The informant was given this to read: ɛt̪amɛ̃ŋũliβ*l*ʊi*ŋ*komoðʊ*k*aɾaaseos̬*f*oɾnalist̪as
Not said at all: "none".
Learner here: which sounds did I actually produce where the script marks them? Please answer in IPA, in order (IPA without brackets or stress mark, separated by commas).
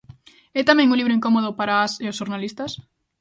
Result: ɾ, ŋ, p, ʃ